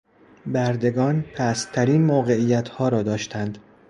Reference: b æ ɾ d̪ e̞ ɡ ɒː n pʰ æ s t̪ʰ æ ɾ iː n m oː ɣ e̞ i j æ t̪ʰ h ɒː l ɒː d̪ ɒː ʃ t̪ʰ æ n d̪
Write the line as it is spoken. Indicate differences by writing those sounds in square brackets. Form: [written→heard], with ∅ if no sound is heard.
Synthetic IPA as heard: b æ ɾ d̪ e̞ ɡ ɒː n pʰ æ s t̪ʰ æ ɾ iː n m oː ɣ e̞ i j æ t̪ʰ h ɒː [l→ɾ] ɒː d̪ ɒː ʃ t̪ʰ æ n d̪